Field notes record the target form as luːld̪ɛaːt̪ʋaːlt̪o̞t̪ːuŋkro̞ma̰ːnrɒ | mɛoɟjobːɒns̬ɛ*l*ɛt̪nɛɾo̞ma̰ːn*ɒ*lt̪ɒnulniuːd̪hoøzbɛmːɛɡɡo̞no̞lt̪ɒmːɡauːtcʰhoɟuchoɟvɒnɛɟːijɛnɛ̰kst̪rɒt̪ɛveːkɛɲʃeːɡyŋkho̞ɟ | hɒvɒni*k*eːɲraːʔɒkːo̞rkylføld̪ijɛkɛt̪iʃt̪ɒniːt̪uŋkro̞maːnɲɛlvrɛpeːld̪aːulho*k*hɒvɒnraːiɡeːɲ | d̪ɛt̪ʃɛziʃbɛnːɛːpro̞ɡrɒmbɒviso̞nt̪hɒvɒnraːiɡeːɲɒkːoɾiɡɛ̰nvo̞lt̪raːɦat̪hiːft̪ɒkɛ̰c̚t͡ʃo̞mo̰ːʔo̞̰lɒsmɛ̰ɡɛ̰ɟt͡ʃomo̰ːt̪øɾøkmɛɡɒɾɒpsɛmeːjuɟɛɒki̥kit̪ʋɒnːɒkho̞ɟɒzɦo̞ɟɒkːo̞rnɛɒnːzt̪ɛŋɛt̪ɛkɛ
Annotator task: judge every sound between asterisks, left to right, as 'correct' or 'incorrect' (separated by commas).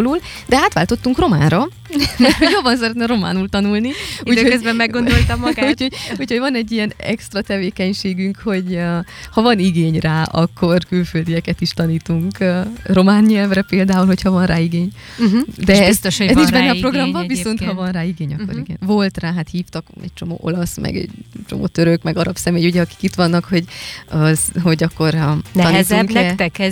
incorrect, incorrect, incorrect, incorrect